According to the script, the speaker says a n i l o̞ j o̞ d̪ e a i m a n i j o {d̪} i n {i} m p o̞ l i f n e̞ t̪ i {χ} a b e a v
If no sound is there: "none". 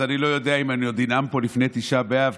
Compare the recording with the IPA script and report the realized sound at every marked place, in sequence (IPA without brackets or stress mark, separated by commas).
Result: d̪, a, ʃ